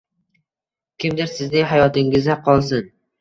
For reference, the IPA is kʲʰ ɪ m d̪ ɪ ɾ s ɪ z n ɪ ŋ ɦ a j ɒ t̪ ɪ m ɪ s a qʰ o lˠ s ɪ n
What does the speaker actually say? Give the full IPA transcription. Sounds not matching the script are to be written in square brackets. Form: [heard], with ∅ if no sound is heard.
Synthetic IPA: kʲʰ ɪ m d̪ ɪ ɾ s ɪ z n ɪ ŋ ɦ a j ɒ t̪ ɪ [ŋ] ɪ [z] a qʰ [ɒ] lˠ s ɪ n